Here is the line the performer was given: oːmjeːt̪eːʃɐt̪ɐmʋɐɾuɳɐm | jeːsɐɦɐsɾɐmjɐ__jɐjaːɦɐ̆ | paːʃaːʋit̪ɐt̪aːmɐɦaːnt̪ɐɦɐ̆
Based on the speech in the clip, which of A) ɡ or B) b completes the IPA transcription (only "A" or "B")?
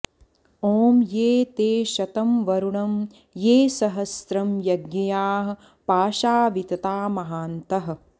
A